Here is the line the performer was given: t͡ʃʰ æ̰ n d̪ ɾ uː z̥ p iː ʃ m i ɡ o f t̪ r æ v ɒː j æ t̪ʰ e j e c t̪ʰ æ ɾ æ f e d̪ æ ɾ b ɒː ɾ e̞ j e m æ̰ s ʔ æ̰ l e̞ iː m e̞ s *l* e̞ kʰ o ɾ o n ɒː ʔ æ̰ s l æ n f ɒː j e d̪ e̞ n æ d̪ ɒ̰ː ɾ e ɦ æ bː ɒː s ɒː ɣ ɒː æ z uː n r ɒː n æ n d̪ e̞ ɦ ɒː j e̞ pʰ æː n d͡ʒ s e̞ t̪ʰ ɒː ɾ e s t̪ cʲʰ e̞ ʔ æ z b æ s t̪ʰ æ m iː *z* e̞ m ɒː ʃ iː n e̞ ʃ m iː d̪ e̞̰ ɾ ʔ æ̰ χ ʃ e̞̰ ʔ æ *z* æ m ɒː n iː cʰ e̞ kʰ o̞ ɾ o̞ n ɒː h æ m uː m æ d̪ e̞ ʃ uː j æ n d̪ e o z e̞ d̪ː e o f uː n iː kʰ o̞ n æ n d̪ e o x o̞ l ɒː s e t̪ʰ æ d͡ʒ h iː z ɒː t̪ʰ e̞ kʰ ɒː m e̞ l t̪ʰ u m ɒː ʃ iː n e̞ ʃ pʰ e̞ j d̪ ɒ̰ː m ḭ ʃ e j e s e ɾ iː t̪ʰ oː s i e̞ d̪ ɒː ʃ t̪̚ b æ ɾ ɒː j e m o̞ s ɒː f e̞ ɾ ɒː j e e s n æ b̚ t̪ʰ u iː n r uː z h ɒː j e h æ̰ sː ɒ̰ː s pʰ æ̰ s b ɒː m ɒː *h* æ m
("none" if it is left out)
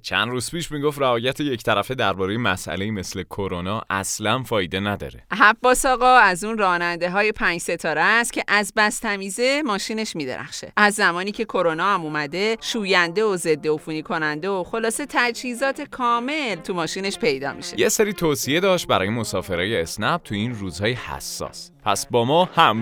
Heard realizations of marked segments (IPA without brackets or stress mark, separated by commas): l, z, zː, h